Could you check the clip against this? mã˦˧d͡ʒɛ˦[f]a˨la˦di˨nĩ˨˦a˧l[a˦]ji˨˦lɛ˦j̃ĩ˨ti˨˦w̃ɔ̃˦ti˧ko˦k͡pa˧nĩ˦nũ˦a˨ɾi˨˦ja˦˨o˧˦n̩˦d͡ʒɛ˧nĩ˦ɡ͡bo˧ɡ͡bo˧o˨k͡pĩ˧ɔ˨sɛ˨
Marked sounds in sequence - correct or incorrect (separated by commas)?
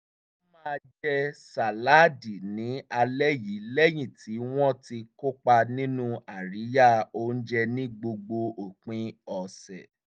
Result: incorrect, incorrect